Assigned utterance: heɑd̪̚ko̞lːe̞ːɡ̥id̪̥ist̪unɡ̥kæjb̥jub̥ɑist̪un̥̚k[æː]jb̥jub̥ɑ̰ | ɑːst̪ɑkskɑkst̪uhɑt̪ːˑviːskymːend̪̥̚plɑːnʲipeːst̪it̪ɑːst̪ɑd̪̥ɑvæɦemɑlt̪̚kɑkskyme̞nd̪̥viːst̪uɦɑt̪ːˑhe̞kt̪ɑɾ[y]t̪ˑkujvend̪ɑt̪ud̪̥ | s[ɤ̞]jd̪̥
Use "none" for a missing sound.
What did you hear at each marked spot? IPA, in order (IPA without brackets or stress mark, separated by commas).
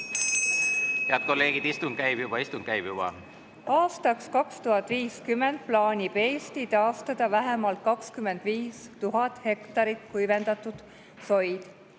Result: æ, i, o̞